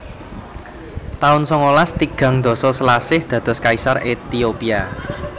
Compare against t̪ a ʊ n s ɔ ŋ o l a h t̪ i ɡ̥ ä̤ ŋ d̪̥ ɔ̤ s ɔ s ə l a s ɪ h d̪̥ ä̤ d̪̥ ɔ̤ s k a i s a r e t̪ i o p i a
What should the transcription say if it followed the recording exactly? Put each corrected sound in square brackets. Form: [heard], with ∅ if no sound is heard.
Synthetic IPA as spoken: t̪ a ʊ n s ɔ ŋ o l a [s] t̪ i ɡ̥ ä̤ ŋ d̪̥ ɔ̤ s ɔ s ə l a s ɪ h d̪̥ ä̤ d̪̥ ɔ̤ s k a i s a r e t̪ i o p i a

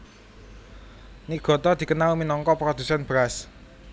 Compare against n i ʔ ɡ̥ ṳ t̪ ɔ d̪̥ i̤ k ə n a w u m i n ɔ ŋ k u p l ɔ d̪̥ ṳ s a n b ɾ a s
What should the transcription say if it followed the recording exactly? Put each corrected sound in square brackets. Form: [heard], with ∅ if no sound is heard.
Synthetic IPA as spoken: n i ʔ ɡ̥ [ɔ̤] t̪ ɔ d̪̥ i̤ k ə n a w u m i n ɔ ŋ k [ɔ] p [ɾ] ɔ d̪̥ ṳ s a n b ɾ a s

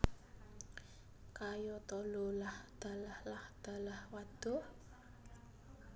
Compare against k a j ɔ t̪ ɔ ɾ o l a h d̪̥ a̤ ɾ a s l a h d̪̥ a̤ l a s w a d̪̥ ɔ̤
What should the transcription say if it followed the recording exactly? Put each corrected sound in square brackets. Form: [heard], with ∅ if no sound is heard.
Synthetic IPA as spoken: k a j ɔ t̪ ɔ [l] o l a h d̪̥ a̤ [l] a [h] l a h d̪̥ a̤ l a [h] w a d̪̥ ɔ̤

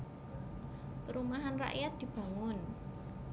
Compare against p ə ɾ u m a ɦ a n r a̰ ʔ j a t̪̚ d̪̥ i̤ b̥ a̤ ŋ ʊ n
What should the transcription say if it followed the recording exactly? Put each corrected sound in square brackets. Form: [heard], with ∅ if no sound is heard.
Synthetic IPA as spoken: p ə ɾ u m a ɦ a n r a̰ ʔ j a t̪̚ d̪̥ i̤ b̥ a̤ ŋ ʊ n

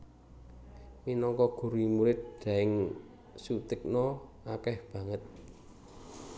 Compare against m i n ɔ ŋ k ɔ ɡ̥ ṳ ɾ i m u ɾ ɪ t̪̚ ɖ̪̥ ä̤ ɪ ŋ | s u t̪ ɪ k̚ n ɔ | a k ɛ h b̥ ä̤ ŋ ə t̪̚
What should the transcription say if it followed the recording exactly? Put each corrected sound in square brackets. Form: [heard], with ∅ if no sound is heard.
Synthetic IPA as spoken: m i n ɔ ŋ k ɔ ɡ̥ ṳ ɾ i m u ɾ ɪ t̪̚ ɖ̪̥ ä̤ ɪ ŋ | s u t̪ ɪ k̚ n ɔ | a k ɛ h b̥ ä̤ ŋ ə t̪̚

